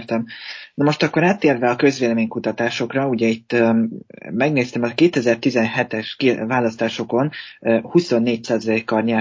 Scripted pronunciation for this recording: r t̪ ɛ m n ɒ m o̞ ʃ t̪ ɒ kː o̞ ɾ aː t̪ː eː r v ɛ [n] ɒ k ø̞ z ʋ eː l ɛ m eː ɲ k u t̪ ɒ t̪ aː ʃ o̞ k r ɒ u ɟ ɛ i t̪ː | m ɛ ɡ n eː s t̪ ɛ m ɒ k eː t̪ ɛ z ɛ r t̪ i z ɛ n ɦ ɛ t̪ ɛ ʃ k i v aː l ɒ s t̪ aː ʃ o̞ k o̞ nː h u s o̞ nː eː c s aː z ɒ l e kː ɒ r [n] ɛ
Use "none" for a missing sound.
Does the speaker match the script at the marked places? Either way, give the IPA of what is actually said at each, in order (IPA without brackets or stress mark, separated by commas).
none, ɲ